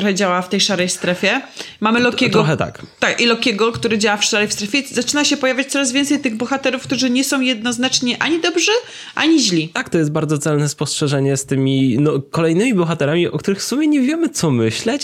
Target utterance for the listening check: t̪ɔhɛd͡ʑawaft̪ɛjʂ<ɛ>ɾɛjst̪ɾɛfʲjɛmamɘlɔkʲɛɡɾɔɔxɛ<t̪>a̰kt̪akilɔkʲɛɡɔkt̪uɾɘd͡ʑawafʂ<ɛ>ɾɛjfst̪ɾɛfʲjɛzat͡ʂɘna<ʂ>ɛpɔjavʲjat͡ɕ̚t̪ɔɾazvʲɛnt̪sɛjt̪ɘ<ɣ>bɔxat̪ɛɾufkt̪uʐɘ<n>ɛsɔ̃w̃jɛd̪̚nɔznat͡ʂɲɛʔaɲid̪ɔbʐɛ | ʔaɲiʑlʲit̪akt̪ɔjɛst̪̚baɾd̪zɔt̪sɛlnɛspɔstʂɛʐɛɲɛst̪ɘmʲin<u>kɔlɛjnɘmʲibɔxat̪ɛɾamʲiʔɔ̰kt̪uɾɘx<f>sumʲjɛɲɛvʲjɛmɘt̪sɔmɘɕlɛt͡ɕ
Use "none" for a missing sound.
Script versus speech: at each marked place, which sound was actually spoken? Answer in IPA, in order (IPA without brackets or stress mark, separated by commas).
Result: a, t̪, a, ɕ, ɣ, ɲ, ɔ, f